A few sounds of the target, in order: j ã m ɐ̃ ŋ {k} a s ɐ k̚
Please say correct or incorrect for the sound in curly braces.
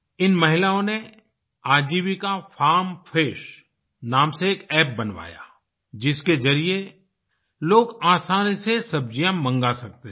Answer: incorrect